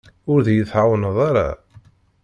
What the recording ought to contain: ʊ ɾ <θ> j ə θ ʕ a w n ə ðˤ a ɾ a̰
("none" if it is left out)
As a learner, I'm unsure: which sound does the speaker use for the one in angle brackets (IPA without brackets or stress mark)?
ð